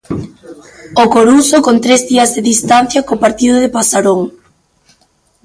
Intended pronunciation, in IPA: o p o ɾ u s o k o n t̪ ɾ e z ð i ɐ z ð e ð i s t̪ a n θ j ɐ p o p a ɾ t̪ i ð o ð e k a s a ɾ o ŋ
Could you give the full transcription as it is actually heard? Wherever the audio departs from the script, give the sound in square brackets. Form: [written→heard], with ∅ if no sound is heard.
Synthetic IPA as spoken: o [p→k] o ɾ u s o k o n t̪ ɾ e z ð i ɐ z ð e ð i s t̪ a n θ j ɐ [p→k] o p a ɾ t̪ i ð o ð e [k→p] a s a ɾ o ŋ